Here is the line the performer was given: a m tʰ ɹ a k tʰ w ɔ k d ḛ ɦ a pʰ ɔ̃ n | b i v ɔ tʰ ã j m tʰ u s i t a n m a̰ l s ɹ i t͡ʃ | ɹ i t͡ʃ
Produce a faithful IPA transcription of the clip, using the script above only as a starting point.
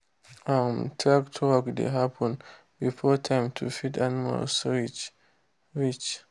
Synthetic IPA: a m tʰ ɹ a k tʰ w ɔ k d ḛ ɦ a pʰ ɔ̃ n | b i f ɔ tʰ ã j m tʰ u f i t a n m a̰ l s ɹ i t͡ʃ | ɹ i t͡ʃ